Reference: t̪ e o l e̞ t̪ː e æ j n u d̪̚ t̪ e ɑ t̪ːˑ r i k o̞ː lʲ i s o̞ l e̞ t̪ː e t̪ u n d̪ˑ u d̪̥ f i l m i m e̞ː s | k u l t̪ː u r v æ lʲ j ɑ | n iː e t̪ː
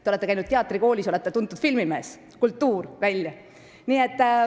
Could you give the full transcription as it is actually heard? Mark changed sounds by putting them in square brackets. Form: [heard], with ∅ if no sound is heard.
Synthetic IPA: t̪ e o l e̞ t̪ː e æ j n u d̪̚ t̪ e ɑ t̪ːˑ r i k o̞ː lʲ i s o̞ l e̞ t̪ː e t̪ u n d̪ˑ u d̪̥ f i l m i m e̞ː s | k u l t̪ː [uː] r v æ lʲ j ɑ | n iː e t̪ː

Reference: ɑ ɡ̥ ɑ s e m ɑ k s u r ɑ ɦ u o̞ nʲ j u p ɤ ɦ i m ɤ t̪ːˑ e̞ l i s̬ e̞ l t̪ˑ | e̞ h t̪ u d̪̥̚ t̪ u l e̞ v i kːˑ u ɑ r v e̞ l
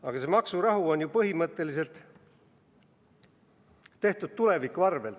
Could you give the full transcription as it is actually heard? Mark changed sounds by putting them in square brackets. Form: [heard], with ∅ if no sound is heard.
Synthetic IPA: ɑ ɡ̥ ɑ s e m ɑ k s u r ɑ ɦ u o̞ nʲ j u p ɤ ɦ i m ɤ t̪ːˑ e̞ l i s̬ e̞ l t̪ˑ | e̞ h t̪ u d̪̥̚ t̪ u l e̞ v i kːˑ u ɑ r v e̞ l

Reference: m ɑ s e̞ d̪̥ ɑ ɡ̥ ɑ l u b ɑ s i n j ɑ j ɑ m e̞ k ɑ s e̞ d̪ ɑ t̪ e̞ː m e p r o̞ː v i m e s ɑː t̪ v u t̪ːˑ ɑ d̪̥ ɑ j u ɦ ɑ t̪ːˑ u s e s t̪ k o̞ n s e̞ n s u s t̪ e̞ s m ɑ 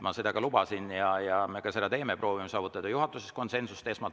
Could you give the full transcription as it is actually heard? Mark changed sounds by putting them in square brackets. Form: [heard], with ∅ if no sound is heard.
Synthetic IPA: m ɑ s e̞ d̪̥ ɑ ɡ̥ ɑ l u b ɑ s i n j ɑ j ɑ m e̞ k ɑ s e̞ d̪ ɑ t̪ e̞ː m e p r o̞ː v i m e s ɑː [∅] v u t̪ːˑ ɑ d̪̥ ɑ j u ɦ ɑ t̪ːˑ u s e s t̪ k o̞ n s e̞ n s u s t̪ e̞ s m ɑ

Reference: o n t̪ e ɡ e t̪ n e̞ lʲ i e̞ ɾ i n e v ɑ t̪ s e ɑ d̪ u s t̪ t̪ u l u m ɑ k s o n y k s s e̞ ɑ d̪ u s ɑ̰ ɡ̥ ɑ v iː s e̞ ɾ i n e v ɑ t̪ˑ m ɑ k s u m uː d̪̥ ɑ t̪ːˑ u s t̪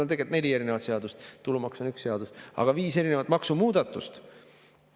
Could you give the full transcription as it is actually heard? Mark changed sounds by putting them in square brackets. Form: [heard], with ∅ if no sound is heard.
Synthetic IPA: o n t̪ e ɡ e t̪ n e̞ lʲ i e̞ ɾ i n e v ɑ t̪ s e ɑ d̪ u s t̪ t̪ u l u m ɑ k s o n y k s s e̞ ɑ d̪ u s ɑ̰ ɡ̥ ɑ v iː s e̞ ɾ i n e v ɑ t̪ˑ m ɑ k s u m uː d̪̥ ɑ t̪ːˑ u s t̪

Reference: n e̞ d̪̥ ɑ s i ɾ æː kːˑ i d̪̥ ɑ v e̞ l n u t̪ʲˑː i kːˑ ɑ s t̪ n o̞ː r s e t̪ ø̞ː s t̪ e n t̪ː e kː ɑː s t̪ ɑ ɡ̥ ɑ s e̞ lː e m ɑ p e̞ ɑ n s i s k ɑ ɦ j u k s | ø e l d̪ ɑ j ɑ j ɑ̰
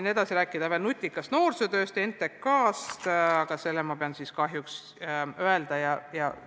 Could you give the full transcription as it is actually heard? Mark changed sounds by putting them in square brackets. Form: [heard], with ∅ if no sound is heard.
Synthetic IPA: n e̞ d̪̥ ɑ s i ɾ æː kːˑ i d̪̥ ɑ v e̞ l n u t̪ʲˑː i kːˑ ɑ s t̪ n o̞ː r s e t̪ ø̞ː s t̪ e n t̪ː e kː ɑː s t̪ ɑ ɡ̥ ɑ s e̞ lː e m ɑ p e̞ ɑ n s i s k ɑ ɦ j u k s | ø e l d̪ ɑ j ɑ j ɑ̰

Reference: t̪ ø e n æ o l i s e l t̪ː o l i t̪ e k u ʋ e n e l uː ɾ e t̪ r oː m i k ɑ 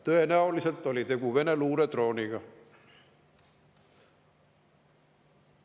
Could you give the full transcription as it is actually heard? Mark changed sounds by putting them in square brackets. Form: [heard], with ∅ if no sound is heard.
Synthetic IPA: t̪ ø e n æ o l i s e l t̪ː o l i t̪ e k u ʋ e n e l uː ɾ e t̪ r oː [n] i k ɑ

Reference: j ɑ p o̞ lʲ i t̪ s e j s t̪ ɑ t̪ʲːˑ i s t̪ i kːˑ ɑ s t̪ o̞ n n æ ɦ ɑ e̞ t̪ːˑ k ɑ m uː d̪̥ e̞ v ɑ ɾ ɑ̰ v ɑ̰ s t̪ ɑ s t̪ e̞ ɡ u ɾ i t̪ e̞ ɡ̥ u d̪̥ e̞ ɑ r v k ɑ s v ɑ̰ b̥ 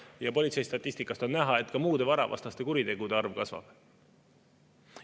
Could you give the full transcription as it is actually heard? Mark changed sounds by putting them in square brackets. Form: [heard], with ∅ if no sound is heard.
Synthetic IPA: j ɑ p o̞ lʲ i t̪ s e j s t̪ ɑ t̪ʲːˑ i s t̪ i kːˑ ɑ s t̪ o̞ n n æ ɦ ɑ e̞ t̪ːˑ k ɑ m uː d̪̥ e̞ v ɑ ɾ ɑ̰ v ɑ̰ s t̪ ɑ s t̪ e̞ [k] u ɾ i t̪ e̞ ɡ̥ u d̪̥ e̞ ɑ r v k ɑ s v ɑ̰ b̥

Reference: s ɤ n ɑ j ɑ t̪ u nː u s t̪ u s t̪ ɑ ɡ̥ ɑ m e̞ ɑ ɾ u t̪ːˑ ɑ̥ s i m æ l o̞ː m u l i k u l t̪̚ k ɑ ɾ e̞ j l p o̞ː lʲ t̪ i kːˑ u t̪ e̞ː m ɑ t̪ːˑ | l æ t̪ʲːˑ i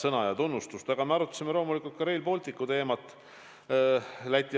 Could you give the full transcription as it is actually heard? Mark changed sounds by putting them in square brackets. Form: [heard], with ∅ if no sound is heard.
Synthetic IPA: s ɤ n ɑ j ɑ t̪ u nː u s t̪ u s t̪ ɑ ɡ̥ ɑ m e̞ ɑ ɾ u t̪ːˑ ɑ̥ s i m [e] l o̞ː m u l i k u l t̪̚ k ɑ ɾ e̞ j l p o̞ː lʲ t̪ i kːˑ u t̪ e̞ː m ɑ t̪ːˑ | l æ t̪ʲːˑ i

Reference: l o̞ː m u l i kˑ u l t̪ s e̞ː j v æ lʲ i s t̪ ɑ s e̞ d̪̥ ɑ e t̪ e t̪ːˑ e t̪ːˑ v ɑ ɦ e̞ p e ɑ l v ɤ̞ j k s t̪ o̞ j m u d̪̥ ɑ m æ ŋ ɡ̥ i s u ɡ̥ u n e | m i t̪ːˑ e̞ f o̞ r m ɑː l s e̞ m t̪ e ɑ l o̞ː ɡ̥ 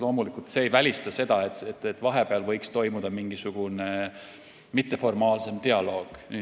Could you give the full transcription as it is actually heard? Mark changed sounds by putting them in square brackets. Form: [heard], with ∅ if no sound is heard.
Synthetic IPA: l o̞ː m u l i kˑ u l t̪ s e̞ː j v æ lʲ i s t̪ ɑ s e̞ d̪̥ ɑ e t̪ e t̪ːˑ e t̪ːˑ v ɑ ɦ e̞ p e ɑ l v ɤ̞ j k s t̪ o̞ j m u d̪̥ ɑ m [i] ŋ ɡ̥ i s u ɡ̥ u n e | m i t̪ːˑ e̞ f o̞ r m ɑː l s e̞ m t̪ e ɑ l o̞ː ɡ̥

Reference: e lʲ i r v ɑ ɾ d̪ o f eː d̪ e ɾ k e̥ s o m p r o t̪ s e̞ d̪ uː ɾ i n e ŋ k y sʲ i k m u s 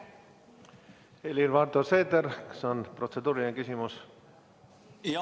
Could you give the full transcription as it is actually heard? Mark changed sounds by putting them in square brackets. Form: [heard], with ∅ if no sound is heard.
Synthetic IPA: e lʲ i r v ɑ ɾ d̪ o [s] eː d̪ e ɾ k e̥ s o [n] p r o t̪ s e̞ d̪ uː ɾ i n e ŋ k y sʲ i [∅] m u s

